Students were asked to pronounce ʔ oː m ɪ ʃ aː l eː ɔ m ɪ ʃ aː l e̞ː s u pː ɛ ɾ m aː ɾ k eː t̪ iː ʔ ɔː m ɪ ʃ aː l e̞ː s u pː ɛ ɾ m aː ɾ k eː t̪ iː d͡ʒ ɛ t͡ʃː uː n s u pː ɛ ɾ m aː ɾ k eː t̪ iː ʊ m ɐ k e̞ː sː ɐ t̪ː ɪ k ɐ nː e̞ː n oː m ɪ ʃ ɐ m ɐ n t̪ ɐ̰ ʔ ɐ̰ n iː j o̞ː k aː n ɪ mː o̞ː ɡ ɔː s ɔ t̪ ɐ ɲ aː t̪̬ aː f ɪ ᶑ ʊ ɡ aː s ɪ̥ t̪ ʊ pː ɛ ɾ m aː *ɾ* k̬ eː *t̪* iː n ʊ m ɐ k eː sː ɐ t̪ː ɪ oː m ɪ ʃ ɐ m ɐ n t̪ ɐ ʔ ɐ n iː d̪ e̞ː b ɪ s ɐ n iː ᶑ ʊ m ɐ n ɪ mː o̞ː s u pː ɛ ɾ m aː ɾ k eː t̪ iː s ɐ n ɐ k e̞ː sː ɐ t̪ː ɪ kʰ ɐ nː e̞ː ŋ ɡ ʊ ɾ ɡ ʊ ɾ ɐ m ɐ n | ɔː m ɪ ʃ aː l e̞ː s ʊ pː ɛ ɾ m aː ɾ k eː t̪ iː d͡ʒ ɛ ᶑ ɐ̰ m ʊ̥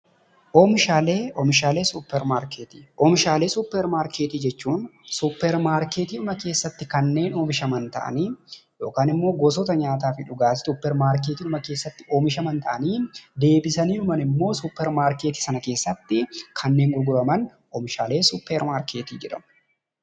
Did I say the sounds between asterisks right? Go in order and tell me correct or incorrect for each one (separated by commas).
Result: correct, correct